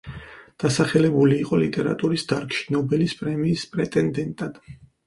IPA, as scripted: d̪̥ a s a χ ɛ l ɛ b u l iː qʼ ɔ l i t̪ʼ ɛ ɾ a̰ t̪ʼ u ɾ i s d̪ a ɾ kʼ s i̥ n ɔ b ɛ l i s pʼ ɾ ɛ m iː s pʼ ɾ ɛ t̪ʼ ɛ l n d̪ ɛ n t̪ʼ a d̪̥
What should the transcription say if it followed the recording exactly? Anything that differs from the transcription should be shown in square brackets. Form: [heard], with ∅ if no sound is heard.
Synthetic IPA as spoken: d̪̥ a s a χ ɛ l ɛ b u l iː qʼ ɔ l i t̪ʼ ɛ ɾ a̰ t̪ʼ u ɾ i s d̪ a ɾ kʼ [ʃ] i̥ n ɔ b ɛ l i s pʼ ɾ ɛ m iː s pʼ ɾ ɛ t̪ʼ ɛ [∅] n d̪ ɛ n t̪ʼ a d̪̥